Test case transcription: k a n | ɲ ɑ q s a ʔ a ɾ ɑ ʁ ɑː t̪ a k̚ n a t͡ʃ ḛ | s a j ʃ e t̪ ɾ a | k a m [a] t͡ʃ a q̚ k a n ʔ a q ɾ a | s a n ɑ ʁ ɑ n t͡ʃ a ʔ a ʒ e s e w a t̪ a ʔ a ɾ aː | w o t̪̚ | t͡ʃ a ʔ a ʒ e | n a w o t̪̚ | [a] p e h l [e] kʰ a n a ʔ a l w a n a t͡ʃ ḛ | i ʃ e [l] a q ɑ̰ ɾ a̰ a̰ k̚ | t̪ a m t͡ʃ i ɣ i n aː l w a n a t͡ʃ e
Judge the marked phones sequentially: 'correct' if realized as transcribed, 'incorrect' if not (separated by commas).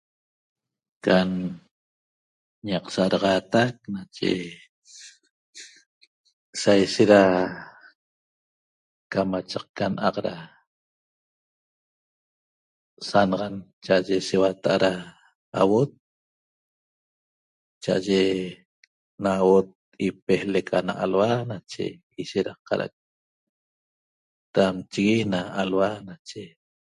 correct, incorrect, correct, incorrect